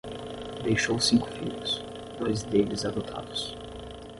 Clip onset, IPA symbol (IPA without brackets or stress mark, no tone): d̪